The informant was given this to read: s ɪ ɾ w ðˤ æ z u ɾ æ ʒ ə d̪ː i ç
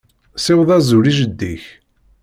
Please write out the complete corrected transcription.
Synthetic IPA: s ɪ w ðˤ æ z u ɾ i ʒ ə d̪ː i ç